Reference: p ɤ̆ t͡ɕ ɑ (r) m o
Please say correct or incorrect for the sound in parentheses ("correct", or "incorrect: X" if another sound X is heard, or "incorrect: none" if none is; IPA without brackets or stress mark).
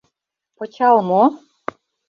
incorrect: l